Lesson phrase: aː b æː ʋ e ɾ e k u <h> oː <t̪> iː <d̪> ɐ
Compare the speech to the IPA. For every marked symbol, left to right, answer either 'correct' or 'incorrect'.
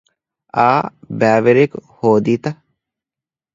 correct, incorrect, incorrect

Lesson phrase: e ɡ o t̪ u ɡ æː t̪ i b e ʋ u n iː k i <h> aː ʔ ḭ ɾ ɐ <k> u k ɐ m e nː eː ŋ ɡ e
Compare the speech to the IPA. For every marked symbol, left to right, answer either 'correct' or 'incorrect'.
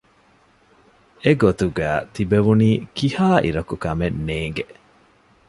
correct, correct

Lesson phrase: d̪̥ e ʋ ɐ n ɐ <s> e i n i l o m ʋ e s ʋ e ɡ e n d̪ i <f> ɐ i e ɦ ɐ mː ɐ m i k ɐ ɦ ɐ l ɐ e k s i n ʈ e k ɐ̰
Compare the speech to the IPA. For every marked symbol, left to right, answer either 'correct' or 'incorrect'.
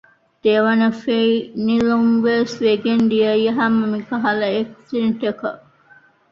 incorrect, incorrect

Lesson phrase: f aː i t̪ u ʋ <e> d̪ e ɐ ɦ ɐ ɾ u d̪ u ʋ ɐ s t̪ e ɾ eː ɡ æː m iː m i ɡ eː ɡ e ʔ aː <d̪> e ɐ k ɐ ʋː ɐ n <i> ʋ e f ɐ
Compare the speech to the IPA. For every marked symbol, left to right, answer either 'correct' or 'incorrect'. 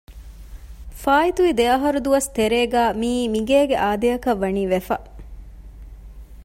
incorrect, correct, incorrect

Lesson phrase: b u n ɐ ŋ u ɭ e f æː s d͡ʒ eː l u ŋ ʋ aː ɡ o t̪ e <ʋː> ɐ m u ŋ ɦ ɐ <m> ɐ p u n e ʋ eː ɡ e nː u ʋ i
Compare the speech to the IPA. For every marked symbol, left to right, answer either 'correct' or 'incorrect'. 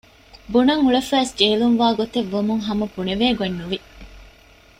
correct, correct

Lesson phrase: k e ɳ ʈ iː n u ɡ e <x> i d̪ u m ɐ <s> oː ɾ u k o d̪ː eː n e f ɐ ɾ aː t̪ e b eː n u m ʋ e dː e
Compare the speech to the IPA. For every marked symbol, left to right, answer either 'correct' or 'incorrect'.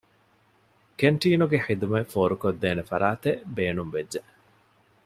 incorrect, incorrect

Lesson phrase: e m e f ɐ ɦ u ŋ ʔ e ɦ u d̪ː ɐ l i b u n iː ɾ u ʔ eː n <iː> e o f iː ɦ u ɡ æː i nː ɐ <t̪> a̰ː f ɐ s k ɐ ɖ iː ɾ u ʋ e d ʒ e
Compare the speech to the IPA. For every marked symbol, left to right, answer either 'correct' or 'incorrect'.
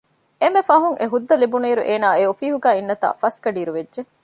incorrect, correct

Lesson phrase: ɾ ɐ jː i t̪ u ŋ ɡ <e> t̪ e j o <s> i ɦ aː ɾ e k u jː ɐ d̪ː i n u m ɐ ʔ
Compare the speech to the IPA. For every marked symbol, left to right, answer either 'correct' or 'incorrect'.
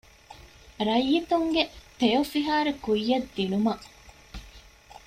correct, incorrect

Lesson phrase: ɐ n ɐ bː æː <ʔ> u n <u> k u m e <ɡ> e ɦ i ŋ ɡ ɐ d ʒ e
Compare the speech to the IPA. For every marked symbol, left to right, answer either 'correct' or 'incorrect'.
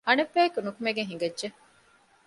incorrect, correct, correct

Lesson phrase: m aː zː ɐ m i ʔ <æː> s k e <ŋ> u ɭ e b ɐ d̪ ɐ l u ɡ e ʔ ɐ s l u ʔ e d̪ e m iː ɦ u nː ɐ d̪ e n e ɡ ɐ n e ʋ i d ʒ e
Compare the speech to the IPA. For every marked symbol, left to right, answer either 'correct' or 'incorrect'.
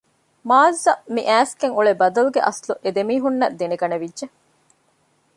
correct, correct

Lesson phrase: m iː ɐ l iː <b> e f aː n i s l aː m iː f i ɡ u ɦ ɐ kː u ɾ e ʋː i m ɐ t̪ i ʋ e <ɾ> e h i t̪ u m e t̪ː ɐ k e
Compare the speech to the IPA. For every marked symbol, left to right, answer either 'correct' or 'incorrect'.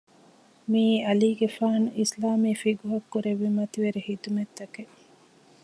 incorrect, correct

